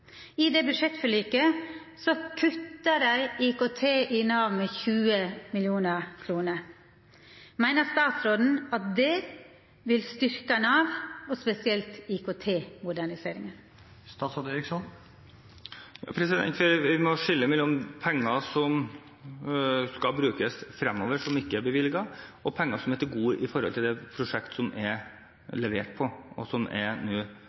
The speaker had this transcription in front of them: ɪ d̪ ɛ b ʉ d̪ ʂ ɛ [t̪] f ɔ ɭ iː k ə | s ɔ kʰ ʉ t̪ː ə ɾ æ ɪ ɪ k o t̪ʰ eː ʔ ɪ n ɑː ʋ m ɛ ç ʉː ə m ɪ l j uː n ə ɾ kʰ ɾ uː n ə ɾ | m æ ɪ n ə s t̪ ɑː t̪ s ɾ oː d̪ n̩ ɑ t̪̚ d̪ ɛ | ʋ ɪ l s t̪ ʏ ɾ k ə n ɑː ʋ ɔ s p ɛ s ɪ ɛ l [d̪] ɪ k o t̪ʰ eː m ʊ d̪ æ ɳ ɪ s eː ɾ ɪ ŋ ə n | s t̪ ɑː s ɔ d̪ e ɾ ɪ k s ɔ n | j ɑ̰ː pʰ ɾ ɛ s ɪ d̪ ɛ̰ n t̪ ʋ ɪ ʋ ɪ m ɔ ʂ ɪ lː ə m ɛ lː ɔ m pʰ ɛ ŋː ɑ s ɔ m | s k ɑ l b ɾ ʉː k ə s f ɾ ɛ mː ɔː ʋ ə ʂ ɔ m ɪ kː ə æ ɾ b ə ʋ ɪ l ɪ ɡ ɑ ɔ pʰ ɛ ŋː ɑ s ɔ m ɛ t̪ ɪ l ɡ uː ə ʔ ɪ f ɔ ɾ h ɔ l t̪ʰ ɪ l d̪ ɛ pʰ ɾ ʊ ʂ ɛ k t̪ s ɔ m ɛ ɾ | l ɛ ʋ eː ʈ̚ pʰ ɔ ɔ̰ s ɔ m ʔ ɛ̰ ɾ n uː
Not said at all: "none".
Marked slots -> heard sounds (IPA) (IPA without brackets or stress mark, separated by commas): t̪, t̪